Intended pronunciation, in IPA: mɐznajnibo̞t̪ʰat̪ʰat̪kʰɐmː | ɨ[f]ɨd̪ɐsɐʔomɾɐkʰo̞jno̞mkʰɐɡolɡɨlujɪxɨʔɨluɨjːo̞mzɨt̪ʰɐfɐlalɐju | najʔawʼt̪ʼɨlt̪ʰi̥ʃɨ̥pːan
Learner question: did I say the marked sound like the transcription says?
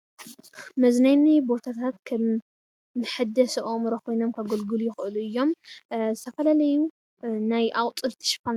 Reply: no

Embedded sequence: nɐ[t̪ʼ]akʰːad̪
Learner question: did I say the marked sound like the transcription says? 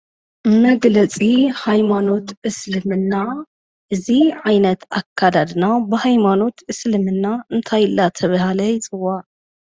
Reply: no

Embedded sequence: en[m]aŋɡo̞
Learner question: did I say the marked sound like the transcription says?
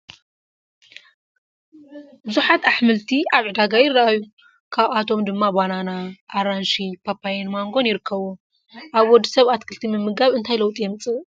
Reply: yes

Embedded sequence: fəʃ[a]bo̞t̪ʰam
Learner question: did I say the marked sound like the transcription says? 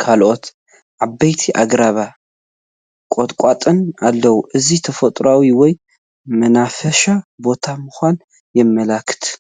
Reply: yes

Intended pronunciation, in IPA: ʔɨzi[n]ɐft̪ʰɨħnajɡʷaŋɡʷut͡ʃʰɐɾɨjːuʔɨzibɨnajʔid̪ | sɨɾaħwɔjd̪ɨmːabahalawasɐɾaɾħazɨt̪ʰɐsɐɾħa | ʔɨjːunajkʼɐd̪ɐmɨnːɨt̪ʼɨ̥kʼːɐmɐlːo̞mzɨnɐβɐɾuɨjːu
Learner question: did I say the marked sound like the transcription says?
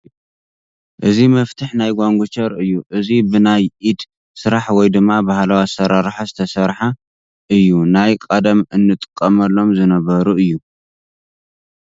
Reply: no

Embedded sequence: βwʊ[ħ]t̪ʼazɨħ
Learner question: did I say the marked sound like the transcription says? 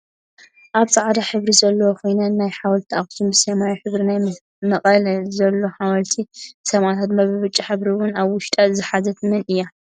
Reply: no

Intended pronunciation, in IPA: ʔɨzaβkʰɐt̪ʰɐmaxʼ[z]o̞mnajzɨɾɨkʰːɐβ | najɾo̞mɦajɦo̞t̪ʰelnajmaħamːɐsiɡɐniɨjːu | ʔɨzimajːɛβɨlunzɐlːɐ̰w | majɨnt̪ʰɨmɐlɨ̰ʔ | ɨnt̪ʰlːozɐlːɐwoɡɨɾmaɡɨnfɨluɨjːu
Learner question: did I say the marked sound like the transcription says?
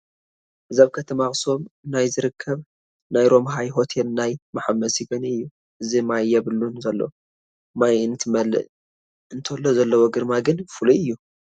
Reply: no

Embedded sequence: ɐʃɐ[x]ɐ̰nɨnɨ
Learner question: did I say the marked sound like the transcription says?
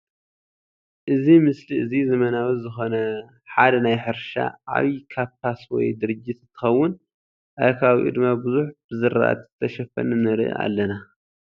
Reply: no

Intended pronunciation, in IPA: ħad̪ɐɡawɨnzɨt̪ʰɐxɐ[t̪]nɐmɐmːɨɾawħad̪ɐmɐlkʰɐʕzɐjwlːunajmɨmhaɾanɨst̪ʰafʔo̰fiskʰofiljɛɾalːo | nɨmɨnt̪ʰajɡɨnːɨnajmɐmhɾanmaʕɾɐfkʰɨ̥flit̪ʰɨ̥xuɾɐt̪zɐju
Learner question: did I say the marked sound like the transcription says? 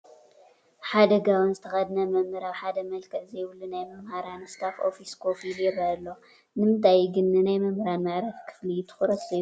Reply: no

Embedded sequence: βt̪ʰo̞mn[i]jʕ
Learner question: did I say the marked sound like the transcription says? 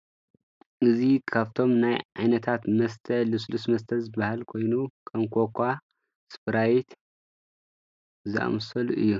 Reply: no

